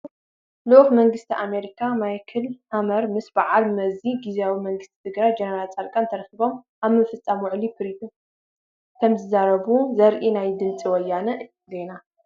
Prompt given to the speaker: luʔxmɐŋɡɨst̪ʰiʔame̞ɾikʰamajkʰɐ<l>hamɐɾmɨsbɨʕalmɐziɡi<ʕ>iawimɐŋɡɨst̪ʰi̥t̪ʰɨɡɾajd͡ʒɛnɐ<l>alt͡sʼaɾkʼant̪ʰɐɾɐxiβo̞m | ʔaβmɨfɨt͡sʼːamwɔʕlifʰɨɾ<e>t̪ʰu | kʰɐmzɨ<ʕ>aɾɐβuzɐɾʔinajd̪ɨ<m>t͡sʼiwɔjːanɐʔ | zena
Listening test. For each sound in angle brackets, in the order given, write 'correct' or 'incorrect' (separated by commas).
correct, incorrect, incorrect, incorrect, incorrect, incorrect